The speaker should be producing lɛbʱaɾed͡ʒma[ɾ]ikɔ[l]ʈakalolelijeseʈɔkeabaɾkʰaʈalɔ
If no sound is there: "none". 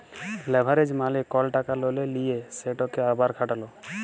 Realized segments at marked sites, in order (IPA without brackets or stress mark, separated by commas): l, l